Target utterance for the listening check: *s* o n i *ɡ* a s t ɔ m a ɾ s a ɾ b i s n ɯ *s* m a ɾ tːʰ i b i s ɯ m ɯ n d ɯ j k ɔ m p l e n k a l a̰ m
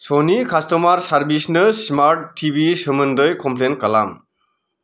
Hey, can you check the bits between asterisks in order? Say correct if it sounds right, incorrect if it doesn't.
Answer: correct, incorrect, correct

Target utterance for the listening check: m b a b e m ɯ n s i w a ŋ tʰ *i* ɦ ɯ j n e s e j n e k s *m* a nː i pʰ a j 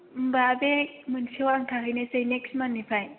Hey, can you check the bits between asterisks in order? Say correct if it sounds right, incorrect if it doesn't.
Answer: incorrect, correct

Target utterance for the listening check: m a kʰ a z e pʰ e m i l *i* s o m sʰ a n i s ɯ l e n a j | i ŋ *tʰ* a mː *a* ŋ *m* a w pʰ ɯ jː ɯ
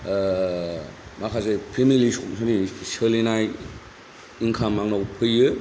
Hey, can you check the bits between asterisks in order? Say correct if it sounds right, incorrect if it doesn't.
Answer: correct, incorrect, correct, incorrect

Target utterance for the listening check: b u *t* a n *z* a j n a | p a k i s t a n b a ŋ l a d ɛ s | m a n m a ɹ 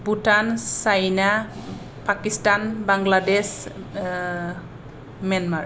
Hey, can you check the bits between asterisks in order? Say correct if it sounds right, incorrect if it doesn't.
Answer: correct, incorrect

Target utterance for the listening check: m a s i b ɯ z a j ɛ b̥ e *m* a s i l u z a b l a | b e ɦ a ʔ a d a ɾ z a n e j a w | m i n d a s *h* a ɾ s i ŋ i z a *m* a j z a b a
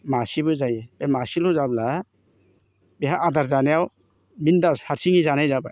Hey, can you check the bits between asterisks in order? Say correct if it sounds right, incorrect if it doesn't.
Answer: correct, correct, incorrect

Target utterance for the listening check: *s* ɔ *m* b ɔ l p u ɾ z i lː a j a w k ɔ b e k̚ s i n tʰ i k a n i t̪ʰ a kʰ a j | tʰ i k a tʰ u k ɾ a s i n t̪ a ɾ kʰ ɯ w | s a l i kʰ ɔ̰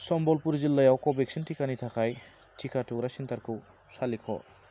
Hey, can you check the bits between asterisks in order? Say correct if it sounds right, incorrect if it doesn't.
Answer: correct, correct

